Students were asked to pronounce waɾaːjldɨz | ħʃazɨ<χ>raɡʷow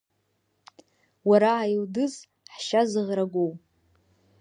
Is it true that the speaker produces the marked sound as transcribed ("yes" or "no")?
no